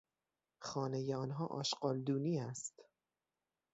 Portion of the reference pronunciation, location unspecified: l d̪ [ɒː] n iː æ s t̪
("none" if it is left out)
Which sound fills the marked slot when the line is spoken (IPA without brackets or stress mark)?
uː